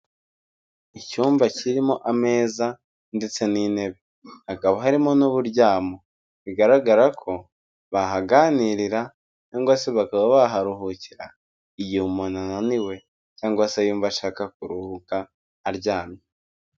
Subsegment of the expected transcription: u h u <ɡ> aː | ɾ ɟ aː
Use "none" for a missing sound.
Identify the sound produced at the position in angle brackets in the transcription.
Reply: k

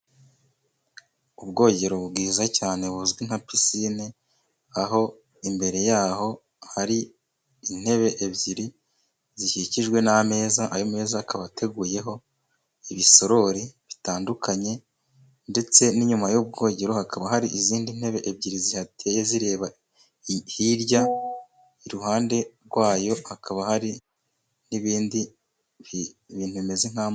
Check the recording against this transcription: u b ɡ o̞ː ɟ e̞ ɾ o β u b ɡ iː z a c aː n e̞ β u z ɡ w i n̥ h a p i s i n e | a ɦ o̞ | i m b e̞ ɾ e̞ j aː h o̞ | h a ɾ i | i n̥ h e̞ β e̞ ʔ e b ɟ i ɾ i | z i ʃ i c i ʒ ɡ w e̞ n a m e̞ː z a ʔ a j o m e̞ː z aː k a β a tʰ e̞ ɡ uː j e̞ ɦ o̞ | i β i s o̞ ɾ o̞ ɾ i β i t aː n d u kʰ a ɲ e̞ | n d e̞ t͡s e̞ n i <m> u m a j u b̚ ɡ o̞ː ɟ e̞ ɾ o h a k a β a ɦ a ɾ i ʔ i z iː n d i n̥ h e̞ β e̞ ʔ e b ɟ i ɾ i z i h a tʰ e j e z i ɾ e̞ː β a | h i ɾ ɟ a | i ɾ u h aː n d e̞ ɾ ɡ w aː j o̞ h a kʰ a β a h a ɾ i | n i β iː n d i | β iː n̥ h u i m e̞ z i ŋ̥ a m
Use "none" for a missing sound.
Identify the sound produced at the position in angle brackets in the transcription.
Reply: ɲ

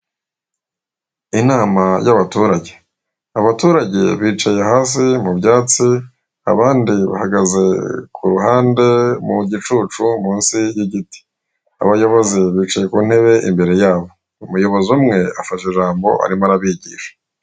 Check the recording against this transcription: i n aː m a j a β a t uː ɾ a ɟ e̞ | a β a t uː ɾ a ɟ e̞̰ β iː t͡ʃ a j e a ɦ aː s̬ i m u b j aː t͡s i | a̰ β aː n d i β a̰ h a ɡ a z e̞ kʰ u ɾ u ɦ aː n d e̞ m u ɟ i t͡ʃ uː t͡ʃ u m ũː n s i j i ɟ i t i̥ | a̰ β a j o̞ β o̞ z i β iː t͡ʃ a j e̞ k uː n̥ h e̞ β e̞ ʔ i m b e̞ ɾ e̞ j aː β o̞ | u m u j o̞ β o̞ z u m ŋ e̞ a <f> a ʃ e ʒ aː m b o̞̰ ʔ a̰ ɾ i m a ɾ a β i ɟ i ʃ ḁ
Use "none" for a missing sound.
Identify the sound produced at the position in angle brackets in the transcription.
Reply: f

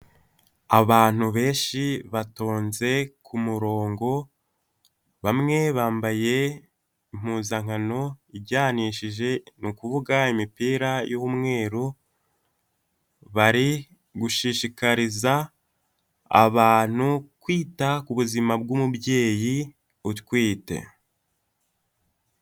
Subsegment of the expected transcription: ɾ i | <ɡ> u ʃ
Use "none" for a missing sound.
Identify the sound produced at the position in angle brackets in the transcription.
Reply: ɡ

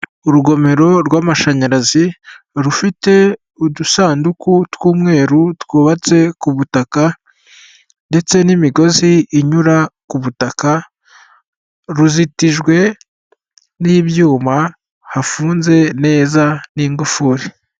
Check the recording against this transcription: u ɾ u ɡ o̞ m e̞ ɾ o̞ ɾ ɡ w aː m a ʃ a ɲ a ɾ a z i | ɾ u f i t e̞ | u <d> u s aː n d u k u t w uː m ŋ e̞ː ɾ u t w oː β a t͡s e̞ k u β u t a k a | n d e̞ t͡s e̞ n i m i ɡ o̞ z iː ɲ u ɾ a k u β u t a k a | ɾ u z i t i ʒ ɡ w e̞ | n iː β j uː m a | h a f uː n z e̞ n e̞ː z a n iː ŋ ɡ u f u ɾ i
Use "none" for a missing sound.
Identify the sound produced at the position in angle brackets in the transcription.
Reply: d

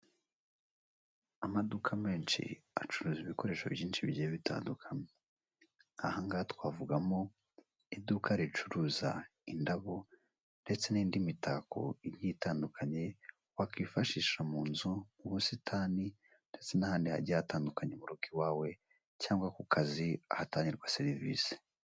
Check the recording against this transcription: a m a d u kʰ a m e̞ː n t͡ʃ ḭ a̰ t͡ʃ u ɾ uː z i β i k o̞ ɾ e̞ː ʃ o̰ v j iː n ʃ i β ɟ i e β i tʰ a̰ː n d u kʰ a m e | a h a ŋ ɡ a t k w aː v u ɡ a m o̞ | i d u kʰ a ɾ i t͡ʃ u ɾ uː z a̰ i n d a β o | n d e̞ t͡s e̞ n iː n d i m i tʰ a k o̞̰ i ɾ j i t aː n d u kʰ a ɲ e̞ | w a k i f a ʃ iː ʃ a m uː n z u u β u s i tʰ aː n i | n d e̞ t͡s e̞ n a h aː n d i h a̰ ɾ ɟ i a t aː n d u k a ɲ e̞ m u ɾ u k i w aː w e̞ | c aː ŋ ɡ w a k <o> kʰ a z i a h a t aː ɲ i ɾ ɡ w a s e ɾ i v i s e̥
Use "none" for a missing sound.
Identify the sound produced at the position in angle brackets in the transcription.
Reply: u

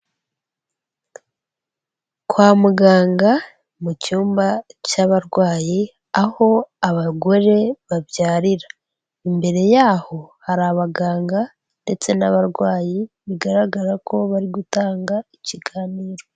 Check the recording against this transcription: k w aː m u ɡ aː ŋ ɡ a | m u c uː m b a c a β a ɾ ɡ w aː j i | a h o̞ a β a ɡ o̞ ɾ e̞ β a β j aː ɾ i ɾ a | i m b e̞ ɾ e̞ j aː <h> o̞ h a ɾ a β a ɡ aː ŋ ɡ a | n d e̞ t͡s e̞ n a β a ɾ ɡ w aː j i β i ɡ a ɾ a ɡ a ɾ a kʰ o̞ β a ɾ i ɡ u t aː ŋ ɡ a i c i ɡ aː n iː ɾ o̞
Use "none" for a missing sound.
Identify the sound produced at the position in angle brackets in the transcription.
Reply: h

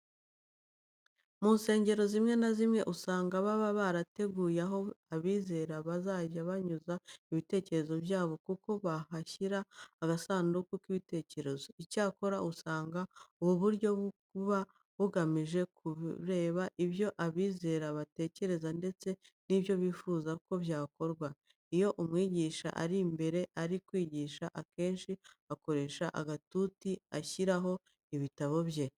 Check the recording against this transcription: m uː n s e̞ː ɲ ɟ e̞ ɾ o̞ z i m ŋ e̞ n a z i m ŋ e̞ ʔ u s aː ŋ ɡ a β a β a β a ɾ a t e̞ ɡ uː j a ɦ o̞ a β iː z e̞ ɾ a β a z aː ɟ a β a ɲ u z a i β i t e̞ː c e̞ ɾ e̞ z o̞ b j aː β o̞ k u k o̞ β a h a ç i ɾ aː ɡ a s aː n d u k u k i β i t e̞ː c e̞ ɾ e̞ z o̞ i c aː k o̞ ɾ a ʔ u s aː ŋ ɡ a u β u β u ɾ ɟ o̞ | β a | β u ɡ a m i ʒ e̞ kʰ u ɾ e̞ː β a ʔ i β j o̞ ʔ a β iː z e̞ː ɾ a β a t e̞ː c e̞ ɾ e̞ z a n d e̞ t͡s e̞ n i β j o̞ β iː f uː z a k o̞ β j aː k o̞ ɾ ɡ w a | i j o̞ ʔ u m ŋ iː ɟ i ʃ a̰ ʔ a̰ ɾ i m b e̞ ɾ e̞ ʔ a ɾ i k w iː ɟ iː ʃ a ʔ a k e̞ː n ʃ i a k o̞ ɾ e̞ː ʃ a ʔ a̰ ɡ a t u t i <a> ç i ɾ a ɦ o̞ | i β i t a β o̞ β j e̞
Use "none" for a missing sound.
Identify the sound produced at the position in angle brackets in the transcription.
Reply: a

